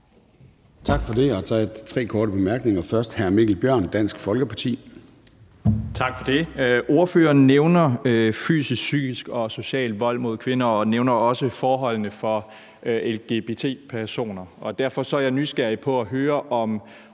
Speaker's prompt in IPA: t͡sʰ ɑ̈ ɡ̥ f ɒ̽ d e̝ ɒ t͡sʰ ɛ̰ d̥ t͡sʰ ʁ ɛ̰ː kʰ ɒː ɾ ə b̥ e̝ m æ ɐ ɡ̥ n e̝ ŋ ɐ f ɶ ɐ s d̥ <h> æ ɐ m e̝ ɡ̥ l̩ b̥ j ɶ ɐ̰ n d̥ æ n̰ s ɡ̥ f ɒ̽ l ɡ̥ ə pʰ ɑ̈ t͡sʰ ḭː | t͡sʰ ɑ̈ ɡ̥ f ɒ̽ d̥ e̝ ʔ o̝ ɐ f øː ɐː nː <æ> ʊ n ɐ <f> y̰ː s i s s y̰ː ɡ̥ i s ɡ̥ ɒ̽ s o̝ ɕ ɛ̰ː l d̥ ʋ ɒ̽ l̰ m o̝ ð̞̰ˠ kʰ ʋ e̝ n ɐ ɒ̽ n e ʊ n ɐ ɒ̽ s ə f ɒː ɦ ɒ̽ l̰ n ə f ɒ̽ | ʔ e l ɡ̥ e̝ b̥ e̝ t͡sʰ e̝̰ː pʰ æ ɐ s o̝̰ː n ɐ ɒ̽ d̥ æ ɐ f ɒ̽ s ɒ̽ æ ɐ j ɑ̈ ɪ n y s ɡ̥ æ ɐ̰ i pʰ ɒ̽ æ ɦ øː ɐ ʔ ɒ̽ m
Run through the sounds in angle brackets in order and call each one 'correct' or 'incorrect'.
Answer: correct, incorrect: e, correct

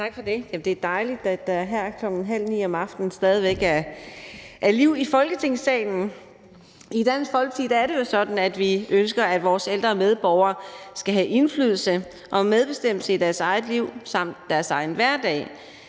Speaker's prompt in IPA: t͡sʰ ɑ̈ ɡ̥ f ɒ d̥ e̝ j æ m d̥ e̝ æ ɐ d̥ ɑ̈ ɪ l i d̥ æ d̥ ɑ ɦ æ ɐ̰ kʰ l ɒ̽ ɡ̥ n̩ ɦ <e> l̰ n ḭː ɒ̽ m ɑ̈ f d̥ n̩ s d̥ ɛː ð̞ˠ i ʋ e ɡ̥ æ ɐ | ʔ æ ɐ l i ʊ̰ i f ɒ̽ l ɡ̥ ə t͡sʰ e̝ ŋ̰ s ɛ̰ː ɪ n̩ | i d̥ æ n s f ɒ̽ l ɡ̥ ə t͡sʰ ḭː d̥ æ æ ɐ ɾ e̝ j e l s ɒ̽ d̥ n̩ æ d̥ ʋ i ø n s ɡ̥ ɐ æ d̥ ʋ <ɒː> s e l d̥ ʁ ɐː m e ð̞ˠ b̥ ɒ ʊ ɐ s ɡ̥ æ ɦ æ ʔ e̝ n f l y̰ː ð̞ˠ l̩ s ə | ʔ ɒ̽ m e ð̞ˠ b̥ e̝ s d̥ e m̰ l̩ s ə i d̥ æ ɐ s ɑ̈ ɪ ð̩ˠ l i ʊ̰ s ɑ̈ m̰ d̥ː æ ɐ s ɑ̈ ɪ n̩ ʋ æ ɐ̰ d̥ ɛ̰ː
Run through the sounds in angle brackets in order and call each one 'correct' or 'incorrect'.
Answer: incorrect: æ, correct

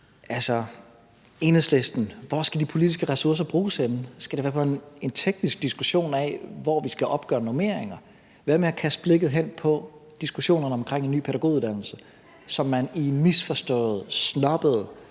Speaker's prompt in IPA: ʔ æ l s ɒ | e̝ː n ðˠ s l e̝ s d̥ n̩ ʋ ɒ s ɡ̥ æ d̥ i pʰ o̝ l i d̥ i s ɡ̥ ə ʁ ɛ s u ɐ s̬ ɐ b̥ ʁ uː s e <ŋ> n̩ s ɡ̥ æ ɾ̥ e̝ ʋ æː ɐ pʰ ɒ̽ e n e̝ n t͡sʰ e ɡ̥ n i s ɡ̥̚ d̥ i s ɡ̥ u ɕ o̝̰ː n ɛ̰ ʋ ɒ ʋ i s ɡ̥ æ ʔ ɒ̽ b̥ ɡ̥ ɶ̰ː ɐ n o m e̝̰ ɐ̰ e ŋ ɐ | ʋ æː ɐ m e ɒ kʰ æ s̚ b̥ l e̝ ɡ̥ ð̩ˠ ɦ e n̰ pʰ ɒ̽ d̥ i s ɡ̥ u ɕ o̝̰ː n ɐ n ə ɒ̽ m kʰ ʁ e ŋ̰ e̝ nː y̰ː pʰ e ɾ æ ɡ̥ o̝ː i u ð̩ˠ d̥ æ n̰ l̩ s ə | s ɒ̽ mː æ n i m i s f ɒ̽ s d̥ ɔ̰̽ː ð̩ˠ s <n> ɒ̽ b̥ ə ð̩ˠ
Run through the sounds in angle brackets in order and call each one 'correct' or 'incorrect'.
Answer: incorrect: n, correct

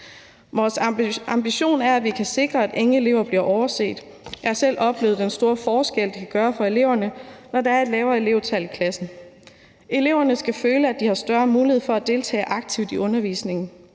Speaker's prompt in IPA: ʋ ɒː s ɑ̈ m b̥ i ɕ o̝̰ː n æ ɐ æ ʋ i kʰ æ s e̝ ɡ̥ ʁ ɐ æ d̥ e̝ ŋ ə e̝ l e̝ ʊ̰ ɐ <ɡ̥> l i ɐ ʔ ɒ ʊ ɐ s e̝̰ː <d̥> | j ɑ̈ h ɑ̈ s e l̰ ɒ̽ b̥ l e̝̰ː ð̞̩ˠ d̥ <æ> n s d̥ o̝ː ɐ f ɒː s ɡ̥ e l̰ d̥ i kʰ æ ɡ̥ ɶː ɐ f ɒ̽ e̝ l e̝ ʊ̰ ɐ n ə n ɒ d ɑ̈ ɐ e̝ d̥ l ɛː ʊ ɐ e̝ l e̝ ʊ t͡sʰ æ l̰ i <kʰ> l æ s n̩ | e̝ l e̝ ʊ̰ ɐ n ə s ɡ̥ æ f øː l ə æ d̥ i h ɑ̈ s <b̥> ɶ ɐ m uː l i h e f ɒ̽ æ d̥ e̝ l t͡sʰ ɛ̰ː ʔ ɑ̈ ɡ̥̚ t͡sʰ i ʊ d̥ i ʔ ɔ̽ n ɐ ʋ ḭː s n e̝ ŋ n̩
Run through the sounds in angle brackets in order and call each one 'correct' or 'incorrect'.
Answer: incorrect: b̥, correct, incorrect: e, correct, incorrect: d̥

